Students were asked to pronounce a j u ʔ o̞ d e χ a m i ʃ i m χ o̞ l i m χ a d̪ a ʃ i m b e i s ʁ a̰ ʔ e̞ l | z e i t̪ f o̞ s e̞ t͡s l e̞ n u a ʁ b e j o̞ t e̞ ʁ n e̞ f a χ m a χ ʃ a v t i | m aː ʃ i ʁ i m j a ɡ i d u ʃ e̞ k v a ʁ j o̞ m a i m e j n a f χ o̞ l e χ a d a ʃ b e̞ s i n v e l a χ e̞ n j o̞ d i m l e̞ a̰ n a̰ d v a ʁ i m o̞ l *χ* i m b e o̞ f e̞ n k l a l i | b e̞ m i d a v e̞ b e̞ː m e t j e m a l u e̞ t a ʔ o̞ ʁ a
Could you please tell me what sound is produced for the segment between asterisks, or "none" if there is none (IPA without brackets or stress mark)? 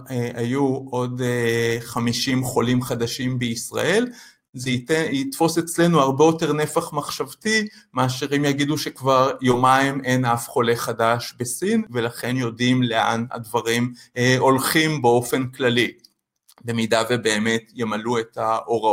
χ